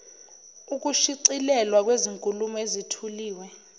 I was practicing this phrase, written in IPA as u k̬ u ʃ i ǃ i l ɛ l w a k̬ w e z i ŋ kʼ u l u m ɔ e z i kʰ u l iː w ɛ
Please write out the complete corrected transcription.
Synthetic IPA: u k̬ u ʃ i ǀ i l ɛ l w a k̬ w e z i ŋ kʼ u l u m ɔ e z i tʰ u l iː w ɛ